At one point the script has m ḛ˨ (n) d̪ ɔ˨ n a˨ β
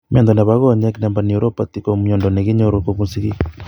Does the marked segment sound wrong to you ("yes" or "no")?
no